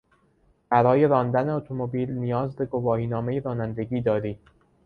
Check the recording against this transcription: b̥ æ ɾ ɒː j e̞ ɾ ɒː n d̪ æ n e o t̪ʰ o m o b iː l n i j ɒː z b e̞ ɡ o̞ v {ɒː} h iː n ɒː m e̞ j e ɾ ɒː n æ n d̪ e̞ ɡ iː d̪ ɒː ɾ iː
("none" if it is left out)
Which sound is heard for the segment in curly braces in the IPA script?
ɒː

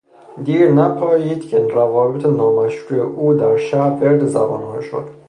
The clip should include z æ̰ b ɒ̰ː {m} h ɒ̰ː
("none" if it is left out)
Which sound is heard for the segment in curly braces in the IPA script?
n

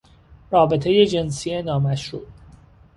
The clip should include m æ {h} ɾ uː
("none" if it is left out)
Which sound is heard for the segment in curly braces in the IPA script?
ʃ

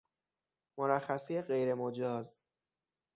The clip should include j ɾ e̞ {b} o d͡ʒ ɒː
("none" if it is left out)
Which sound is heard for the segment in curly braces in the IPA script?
m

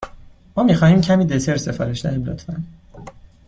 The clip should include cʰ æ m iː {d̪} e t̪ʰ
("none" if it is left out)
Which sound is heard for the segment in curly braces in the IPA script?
d̪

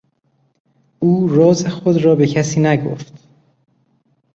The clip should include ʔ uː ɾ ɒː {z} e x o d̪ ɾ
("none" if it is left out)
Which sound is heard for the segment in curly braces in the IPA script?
z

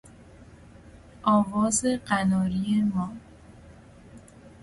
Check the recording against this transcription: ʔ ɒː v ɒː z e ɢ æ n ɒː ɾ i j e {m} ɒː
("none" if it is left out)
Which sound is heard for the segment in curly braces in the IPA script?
m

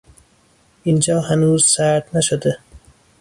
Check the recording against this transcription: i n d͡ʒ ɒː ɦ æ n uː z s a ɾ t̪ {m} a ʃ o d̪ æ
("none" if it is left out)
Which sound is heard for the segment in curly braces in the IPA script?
n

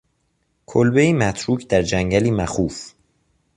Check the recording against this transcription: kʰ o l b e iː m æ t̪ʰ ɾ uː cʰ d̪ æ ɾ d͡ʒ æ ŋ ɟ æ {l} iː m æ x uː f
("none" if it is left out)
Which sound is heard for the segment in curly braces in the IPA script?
l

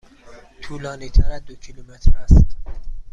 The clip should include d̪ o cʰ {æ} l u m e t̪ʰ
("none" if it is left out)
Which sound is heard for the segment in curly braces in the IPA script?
i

